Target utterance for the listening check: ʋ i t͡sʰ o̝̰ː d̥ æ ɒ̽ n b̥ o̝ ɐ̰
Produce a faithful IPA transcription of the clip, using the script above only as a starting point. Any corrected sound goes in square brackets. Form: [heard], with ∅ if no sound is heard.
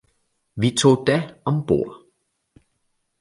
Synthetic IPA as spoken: ʋ i t͡sʰ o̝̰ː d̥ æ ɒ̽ [m] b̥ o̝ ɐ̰